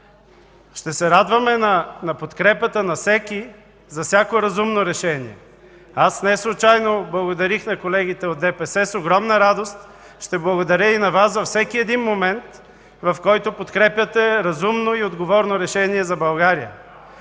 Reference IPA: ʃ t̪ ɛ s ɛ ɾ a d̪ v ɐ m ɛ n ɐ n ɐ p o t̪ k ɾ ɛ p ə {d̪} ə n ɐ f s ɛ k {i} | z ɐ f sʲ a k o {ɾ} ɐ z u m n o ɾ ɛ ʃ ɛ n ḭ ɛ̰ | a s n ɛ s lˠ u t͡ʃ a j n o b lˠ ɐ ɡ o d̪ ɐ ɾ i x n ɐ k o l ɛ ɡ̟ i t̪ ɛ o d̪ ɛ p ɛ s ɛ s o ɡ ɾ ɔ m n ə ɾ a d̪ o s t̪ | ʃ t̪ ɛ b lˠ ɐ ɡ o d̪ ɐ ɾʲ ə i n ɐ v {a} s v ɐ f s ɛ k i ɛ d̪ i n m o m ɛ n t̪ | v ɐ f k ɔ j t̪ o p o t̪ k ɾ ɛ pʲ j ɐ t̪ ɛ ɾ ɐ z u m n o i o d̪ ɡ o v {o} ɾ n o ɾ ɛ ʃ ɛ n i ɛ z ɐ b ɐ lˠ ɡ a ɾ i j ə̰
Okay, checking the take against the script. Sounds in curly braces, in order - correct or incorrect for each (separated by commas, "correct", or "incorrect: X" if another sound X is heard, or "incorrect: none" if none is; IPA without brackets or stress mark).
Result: incorrect: t̪, correct, correct, correct, incorrect: ɔ